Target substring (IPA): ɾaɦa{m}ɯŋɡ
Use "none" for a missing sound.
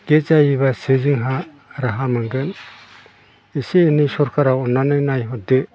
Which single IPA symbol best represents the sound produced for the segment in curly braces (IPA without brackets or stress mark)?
m